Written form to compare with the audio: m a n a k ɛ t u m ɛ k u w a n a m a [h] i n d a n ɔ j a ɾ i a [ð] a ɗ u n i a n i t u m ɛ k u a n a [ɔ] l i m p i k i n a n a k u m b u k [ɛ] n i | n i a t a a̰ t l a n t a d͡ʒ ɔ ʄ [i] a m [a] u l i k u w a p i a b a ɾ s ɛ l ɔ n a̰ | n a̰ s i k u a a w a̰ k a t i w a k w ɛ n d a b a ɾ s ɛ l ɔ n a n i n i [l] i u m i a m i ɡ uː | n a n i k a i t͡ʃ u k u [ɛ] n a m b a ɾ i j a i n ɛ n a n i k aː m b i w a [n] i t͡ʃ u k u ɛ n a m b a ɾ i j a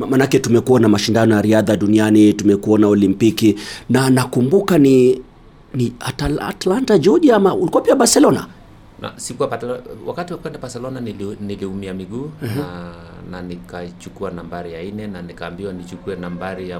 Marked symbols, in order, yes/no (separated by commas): no, yes, yes, no, yes, yes, yes, no, yes